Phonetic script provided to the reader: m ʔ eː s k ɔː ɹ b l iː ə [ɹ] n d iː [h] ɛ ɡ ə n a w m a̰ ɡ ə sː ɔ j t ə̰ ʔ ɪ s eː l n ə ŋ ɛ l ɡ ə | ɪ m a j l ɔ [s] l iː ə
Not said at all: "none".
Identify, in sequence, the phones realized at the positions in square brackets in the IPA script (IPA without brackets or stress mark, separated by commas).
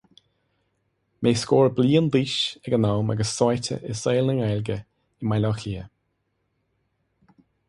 none, ʃ, x